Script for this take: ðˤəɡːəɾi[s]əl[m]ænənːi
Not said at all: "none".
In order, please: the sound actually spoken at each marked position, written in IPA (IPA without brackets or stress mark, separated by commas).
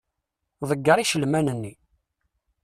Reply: ʃ, m